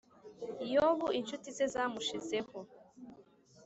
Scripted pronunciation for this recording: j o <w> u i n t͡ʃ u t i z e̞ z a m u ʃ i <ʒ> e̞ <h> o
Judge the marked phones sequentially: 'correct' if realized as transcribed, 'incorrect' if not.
incorrect: β, incorrect: z, correct

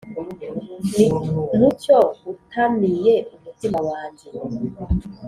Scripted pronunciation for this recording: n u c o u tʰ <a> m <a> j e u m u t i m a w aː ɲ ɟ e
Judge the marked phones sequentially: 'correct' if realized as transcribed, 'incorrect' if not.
correct, incorrect: i

